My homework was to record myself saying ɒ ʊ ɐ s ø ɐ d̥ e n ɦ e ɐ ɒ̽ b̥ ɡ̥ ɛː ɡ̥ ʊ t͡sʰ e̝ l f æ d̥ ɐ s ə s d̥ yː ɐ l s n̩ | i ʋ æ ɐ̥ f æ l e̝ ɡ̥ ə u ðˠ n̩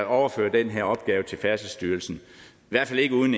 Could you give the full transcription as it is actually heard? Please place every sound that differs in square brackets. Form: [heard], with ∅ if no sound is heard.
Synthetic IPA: ɒ ʊ ɐ [f] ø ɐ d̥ e n ɦ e ɐ ɒ̽ b̥ ɡ̥ ɛː [∅] ʊ t͡sʰ e̝ l f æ [∅] ɐ s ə s d̥ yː ɐ l s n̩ | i ʋ æ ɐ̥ f æ l e̝ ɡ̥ ə u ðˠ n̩